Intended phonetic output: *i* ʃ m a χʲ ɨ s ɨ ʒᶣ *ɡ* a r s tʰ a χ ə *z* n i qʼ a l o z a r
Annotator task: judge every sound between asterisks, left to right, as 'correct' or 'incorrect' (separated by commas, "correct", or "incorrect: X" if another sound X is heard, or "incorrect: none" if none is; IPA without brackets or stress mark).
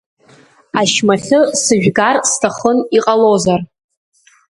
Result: incorrect: a, correct, incorrect: none